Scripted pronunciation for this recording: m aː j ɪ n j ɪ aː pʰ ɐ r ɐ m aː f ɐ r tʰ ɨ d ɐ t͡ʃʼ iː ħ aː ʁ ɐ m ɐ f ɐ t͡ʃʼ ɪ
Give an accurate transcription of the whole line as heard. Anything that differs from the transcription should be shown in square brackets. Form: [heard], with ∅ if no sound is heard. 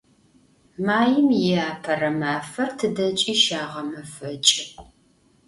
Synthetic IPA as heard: m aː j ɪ [m] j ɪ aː pʰ ɐ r ɐ m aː f ɐ r tʰ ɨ d ɐ t͡ʃʼ iː [ʃ] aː ʁ ɐ m ɐ f ɐ t͡ʃʼ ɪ